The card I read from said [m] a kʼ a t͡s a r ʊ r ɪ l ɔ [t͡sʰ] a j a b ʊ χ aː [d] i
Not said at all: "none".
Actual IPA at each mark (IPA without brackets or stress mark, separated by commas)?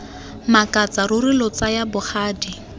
m, t͡s, d